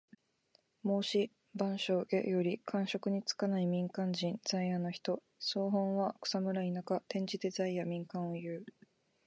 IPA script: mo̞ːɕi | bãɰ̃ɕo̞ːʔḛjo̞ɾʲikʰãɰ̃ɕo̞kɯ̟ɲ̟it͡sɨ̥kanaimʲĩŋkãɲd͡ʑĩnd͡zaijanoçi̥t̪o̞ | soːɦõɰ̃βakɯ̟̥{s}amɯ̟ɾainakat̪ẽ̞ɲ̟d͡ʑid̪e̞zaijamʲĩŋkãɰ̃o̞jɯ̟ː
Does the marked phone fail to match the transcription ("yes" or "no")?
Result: no